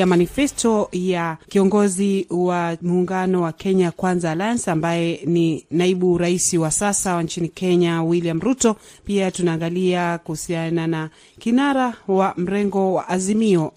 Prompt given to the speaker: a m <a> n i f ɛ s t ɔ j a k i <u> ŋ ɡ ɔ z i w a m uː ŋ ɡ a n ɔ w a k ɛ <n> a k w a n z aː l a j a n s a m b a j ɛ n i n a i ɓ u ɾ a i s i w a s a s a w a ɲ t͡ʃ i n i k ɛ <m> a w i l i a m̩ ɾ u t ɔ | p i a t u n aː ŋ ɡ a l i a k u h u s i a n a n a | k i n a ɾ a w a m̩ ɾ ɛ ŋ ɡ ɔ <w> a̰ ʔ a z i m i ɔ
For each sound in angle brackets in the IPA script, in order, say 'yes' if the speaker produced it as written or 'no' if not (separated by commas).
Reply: yes, no, no, no, yes